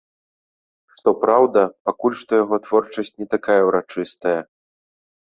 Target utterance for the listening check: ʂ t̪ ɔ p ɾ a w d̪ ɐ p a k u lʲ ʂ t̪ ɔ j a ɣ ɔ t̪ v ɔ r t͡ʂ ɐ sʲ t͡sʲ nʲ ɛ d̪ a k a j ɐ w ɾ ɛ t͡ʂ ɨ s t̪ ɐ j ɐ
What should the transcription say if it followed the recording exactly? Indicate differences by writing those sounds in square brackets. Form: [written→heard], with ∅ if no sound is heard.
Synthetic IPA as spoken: ʂ t̪ ɔ p ɾ a w d̪ ɐ p a k u lʲ ʂ t̪ ɔ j a ɣ ɔ t̪ v ɔ r t͡ʂ ɐ sʲ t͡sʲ nʲ ɛ [d̪→t̪] a k a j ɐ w ɾ [ɛ→a] t͡ʂ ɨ s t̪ ɐ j ɐ